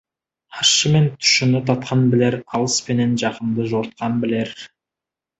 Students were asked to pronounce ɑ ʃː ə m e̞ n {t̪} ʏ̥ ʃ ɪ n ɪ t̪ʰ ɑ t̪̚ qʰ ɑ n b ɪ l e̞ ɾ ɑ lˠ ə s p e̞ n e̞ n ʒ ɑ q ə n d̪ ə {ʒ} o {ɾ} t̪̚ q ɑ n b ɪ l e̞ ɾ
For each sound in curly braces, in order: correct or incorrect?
incorrect: t̪ʰ, correct, correct

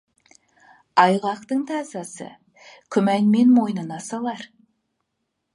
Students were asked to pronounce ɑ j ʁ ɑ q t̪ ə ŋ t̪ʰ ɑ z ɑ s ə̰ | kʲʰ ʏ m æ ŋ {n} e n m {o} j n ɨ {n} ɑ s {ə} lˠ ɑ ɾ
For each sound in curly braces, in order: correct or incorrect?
incorrect: m, correct, correct, incorrect: ɑ

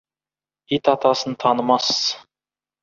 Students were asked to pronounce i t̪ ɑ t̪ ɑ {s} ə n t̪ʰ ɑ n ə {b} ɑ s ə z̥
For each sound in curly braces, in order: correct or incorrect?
correct, incorrect: m

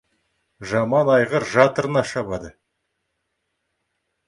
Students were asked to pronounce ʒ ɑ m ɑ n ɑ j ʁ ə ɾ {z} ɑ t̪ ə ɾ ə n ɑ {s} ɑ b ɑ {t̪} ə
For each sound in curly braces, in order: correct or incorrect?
incorrect: ʒ, incorrect: ʃ, incorrect: d̪

